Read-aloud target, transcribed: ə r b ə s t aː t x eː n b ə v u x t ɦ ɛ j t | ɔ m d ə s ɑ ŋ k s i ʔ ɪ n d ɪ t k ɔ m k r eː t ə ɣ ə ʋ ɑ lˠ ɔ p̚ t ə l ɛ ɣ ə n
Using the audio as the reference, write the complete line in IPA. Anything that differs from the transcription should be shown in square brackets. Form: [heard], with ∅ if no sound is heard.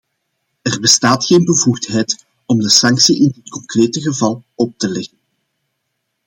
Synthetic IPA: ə r b ə s t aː t x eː n b ə v u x t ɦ ɛ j t | ɔ m d ə s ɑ ŋ k s i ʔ ɪ n d ɪ t k ɔ [ŋ] k r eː t ə ɣ ə [v] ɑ lˠ ɔ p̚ t ə l ɛ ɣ ə n